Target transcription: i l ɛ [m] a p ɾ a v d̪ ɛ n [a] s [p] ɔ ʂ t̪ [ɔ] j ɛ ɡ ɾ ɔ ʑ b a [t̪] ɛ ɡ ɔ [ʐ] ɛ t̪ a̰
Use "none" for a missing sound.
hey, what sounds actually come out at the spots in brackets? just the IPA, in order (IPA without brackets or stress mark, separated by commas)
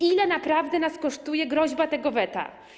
n, a, k, u, t̪, v